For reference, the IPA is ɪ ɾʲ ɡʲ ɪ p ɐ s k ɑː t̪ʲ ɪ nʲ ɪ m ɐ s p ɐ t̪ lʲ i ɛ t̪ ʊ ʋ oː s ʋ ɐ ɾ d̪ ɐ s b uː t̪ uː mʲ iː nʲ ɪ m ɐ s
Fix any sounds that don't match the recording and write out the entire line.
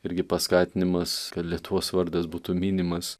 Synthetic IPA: ɪ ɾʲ ɡʲ ɪ p ɐ s k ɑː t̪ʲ ɪ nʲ ɪ m ɐ s k ɐ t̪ lʲ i ɛ t̪ ʊ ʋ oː s ʋ ɐ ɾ d̪ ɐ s b uː t̪ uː mʲ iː nʲ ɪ m ɐ s